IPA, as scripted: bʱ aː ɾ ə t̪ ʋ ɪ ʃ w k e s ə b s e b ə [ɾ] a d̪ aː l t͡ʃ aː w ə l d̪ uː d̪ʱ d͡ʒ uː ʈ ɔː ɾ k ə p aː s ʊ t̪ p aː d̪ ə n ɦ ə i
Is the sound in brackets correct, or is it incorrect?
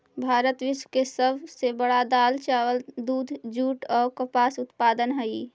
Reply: incorrect